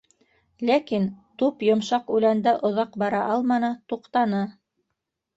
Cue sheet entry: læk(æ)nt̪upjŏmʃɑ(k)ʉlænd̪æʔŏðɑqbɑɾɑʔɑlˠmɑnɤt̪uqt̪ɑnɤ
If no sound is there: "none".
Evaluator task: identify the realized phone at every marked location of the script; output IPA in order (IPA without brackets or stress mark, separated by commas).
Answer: i, q